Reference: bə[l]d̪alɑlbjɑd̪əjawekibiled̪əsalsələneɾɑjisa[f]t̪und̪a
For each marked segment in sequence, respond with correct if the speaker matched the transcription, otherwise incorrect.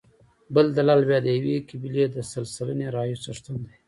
correct, incorrect

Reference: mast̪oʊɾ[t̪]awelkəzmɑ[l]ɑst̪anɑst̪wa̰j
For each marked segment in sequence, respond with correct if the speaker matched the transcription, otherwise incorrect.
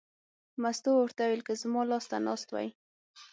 correct, correct

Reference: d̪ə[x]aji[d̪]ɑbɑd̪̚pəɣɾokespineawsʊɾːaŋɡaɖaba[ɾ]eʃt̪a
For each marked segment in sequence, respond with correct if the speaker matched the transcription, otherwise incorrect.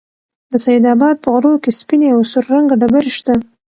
incorrect, correct, correct

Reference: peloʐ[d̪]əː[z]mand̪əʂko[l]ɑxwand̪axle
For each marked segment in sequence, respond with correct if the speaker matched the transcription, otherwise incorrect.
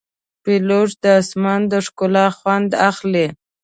correct, incorrect, correct

